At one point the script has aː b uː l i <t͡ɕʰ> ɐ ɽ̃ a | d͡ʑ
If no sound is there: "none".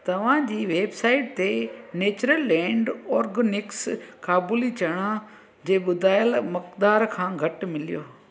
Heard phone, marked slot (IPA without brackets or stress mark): t͡ɕ